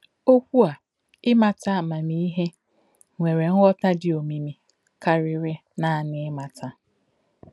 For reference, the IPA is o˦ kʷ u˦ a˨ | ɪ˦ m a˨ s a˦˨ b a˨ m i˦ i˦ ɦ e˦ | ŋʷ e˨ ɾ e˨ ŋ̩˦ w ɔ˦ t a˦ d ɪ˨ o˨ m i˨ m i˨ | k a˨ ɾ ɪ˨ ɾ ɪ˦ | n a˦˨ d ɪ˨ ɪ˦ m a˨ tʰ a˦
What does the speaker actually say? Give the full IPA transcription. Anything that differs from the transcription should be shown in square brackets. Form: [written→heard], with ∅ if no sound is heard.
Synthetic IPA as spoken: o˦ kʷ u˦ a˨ | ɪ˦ m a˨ [s→t] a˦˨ [b→m] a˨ m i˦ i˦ ɦ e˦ | ŋʷ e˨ ɾ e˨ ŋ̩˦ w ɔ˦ t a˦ d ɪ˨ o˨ m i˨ m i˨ | k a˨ ɾ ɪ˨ ɾ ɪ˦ | n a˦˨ [d→n] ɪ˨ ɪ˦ m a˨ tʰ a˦